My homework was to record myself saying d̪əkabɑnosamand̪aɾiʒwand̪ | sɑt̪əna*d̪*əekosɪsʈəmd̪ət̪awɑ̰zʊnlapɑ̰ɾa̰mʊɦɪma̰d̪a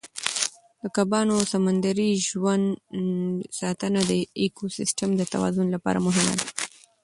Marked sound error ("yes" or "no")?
no